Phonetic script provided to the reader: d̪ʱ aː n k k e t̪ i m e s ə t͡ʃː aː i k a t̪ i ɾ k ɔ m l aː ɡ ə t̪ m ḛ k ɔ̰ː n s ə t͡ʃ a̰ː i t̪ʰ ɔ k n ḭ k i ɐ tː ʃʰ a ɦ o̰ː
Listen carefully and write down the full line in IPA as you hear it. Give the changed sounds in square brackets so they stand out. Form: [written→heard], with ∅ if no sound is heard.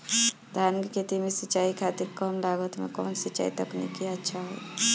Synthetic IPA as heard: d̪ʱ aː n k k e t̪ i m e s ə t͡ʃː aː i [k→kʰ] a t̪ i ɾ k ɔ m l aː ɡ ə t̪ m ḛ k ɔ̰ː n s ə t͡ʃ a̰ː i [t̪ʰ→t̪] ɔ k n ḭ k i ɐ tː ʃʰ a ɦ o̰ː